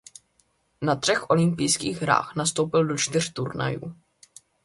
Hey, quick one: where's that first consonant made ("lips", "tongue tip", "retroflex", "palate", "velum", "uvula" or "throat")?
tongue tip